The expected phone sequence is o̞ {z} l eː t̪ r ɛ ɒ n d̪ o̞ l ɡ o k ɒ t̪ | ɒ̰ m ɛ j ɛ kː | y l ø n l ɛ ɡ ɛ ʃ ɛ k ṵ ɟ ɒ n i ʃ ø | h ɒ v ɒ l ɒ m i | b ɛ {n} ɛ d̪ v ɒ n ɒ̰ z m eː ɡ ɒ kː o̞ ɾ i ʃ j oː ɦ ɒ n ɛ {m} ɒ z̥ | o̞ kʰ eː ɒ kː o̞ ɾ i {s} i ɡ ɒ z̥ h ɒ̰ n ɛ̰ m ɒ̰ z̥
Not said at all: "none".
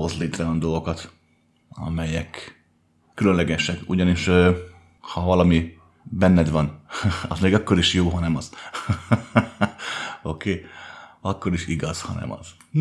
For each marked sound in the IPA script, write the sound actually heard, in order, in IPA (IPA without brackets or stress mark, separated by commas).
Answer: z, nː, m, ʃ